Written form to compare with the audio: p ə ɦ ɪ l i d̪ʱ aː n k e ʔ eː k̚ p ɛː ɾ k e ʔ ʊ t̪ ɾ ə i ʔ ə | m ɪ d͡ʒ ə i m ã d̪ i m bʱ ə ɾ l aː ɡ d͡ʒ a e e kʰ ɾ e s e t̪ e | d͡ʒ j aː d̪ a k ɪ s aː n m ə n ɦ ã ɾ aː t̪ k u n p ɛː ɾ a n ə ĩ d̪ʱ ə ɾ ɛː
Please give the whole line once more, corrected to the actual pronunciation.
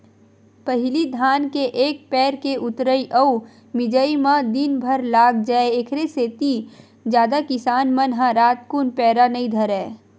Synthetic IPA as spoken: p ə ɦ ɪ l i d̪ʱ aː n k e ʔ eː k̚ p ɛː ɾ k e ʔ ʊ t̪ ɾ ə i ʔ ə | m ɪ d͡ʒ ə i m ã d̪ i n bʱ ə ɾ l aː ɡ d͡ʒ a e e kʰ ɾ e s e t̪ i | d͡ʒ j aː d̪ a k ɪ s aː n m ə n ɦ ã ɾ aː t̪ k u n p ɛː ɾ a n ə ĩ d̪ʱ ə ɾ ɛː